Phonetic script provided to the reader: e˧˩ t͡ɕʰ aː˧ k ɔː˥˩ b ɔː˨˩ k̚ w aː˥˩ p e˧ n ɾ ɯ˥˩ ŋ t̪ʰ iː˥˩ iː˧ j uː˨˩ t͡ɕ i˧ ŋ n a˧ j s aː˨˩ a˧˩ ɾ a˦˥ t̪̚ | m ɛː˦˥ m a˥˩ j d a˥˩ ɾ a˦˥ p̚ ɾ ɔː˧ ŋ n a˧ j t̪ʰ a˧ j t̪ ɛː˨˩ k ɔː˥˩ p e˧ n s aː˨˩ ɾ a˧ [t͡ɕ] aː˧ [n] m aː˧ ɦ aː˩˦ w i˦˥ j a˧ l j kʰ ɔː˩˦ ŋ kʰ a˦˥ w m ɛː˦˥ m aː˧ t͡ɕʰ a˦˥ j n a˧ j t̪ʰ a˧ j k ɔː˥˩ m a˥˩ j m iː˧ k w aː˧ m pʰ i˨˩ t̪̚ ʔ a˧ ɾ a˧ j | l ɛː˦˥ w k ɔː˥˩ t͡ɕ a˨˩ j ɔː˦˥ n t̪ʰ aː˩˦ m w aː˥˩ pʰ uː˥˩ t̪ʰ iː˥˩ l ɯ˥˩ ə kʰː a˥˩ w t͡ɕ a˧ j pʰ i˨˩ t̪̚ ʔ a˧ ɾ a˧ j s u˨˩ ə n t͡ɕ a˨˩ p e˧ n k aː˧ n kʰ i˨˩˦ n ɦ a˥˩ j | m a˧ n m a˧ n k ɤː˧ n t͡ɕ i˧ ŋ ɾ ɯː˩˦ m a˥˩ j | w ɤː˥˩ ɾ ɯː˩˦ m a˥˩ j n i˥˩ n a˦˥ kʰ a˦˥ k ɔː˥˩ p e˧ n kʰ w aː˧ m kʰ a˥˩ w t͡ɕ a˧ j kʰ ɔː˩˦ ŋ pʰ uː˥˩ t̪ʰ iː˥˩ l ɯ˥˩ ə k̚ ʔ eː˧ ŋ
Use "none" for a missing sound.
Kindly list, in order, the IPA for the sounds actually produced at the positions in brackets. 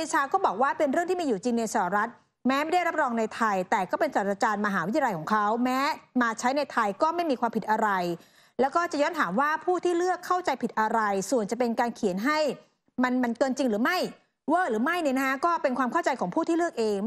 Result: t͡ɕ, n

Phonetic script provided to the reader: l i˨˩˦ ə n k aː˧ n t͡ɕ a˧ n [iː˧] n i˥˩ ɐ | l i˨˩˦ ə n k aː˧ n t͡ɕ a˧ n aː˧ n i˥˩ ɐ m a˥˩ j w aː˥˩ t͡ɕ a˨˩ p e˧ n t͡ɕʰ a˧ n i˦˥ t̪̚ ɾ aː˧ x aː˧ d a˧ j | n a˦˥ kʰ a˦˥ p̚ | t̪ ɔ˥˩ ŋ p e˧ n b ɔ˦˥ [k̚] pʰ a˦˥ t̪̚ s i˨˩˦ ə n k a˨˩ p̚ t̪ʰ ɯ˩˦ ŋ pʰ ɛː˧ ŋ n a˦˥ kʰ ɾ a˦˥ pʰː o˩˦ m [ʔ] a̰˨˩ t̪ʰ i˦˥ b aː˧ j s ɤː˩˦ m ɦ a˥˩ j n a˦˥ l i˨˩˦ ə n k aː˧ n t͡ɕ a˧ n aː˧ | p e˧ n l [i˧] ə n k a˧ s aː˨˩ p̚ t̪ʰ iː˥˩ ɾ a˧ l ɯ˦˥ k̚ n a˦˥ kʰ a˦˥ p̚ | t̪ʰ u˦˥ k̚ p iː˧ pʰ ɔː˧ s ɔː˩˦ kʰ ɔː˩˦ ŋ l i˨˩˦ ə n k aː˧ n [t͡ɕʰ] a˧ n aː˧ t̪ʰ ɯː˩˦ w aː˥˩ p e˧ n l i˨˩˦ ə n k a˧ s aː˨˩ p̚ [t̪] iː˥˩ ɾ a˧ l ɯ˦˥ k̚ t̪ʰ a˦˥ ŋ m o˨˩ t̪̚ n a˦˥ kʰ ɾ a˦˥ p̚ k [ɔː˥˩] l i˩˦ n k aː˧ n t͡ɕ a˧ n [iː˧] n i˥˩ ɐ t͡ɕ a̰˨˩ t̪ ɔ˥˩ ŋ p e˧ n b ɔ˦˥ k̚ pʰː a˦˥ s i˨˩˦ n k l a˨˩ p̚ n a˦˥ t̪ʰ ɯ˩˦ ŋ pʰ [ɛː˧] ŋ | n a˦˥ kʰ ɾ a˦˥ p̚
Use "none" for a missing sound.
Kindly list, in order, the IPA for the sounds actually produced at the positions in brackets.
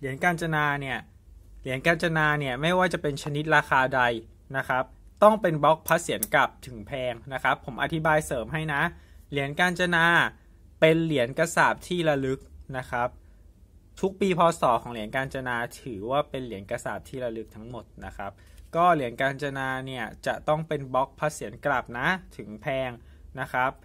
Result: aː˧, k̚, ʔ, i˩˦, t͡ɕ, t̪ʰ, ɔː˥˩, aː˧, ɛː˧

